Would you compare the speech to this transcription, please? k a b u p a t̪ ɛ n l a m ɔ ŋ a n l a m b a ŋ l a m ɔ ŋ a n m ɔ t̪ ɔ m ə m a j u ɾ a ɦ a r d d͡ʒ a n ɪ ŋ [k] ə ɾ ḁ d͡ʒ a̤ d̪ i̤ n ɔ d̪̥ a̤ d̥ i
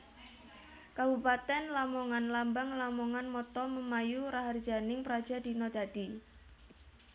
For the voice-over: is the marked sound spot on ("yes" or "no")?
no